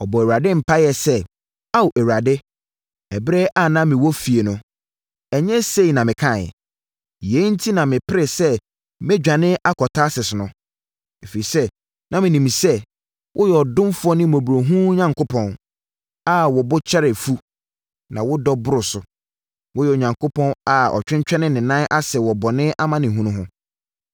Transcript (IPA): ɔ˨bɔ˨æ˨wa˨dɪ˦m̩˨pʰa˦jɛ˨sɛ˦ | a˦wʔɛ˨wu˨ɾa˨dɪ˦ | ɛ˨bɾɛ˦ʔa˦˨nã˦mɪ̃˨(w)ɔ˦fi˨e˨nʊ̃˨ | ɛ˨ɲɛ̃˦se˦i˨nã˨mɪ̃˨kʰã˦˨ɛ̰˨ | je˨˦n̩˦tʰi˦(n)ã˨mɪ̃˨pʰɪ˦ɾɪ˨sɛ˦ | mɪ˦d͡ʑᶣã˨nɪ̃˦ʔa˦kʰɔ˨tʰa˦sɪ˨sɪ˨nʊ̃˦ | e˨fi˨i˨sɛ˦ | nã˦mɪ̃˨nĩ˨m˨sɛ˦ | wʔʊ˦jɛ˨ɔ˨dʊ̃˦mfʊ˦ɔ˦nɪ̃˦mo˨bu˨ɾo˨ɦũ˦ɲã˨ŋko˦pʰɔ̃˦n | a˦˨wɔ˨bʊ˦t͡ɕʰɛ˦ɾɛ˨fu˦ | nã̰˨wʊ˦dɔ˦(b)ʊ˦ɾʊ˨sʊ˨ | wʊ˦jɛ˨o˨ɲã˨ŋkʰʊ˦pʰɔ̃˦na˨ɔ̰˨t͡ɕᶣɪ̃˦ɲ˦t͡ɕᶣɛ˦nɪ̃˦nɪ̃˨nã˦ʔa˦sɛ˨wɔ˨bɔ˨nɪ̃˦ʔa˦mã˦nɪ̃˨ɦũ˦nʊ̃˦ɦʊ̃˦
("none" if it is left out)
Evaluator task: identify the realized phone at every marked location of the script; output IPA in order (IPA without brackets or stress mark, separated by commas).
w, n, b